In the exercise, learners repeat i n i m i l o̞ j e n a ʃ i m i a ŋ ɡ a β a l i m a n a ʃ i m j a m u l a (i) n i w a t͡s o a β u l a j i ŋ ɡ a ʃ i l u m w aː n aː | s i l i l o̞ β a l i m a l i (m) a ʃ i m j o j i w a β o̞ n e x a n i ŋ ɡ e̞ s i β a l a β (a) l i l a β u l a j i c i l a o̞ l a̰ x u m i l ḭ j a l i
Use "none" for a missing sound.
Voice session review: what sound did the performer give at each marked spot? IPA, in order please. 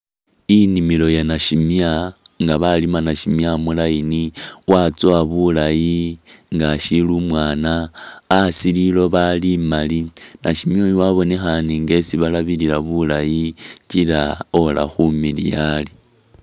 i, n, i

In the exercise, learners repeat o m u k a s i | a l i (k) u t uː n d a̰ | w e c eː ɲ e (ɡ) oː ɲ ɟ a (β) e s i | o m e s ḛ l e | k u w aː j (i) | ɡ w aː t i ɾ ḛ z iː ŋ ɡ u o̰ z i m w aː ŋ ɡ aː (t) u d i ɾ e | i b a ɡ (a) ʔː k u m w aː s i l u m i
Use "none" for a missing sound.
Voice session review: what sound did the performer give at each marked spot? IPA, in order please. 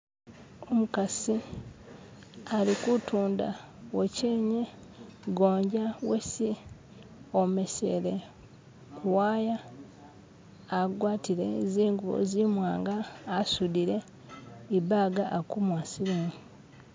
k, ɡ, w, a, s, a

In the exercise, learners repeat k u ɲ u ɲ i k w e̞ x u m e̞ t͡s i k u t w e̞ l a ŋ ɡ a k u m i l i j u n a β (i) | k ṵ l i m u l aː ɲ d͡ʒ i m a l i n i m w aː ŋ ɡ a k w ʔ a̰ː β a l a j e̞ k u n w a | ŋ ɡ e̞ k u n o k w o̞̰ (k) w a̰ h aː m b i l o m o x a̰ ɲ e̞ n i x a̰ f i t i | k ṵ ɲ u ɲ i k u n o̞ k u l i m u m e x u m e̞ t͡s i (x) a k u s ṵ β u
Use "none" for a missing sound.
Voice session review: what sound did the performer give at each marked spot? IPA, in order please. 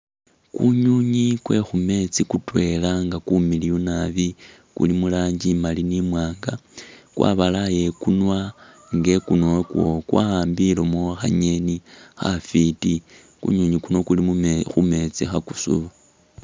i, k, x

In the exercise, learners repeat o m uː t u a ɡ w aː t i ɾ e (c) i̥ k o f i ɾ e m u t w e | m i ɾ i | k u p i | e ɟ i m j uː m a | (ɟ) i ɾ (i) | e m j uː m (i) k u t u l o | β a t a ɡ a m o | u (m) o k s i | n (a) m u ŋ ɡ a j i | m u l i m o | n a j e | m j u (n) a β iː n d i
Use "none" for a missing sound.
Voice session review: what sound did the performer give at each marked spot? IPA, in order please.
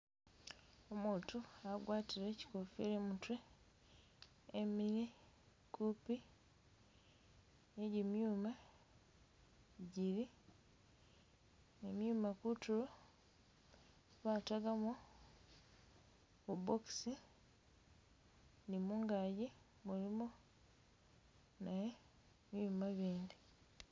c, ɟ, i, a, b, i, m

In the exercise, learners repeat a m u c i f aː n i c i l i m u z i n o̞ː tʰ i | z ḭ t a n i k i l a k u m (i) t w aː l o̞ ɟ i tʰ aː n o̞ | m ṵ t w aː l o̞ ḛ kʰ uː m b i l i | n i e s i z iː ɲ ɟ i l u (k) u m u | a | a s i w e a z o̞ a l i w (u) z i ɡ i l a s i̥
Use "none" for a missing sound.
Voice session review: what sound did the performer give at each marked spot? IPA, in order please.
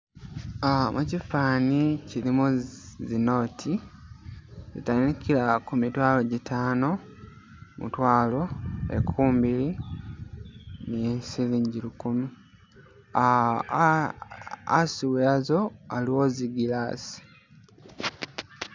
i, k, o

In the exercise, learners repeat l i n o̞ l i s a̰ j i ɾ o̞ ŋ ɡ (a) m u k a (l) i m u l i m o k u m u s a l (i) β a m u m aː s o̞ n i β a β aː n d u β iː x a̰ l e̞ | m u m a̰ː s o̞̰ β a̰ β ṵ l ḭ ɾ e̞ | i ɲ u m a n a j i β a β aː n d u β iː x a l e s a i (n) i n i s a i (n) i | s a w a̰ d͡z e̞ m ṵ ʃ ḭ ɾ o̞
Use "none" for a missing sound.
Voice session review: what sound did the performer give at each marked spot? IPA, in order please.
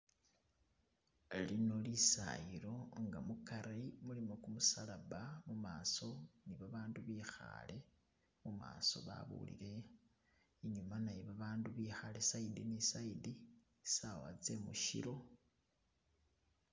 a, ɾ, a, d, d

